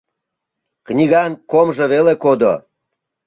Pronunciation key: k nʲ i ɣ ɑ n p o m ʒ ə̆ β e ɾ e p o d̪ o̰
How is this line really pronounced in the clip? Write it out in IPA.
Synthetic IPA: k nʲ i ɣ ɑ n k o m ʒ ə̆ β e l e k o d̪ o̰

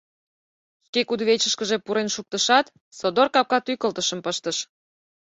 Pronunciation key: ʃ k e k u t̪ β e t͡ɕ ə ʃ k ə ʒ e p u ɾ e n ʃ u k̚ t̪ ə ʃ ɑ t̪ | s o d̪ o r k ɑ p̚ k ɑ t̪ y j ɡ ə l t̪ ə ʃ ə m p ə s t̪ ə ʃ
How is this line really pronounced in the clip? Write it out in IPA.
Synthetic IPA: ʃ k e k u d̪ β e t͡ɕ ə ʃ k ə ʒ e p u ɾ e n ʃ u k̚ t̪ ə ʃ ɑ t̪ | s o d̪ o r k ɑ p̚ k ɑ t̪ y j k ə l t̪ ə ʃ ə m p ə ʃ t̪ ə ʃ

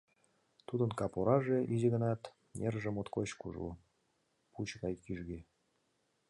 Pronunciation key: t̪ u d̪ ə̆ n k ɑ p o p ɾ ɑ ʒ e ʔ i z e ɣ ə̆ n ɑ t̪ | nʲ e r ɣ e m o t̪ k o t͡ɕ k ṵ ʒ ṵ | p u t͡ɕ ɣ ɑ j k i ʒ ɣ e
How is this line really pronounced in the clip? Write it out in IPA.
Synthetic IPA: t̪ u d̪ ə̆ n k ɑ p o ɾ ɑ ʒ e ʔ i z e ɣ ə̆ n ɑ t̪ | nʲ e r ʒ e m o t̪ k o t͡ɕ k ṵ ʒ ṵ | p u t͡ɕ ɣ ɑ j k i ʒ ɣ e

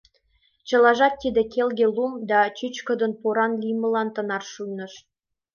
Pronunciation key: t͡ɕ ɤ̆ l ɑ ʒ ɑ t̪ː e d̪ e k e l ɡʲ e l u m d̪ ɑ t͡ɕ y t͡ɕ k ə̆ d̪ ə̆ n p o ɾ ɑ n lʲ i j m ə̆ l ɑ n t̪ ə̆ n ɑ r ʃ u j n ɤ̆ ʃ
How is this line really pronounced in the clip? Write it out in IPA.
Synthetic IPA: t͡ɕ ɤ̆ l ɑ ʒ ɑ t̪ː i d̪ e k e l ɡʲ e l u m d̪ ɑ t͡ɕ y t͡ɕ k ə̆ d̪ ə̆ n p o ɾ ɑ n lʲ i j m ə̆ l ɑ n t̪ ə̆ n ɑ r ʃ u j n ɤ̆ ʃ

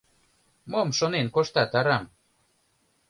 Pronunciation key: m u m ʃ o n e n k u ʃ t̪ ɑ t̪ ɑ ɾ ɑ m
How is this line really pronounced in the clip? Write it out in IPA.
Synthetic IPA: m o m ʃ o n e n k o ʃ t̪ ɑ t̪ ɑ ɾ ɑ m

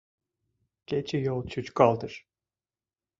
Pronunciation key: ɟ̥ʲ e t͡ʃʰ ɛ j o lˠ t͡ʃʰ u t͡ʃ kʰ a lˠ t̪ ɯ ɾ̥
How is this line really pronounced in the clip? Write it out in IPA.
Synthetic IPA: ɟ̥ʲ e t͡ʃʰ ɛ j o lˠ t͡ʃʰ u t͡ʃ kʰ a lˠ d̪ ɯ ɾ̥

